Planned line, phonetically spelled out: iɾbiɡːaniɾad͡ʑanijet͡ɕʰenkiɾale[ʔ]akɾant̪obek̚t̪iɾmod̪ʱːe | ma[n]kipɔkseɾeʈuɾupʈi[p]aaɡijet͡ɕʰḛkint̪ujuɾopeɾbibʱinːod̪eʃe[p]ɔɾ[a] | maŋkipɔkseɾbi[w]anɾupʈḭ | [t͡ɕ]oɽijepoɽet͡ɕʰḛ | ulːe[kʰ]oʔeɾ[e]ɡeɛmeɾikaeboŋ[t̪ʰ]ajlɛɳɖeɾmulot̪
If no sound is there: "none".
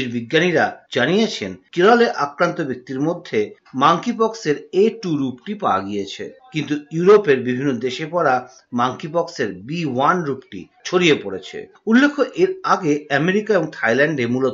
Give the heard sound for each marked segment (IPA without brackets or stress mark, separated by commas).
ʔ, ŋ, p, p, a, w, t͡ɕʰ, kʰ, a, t̪ʰ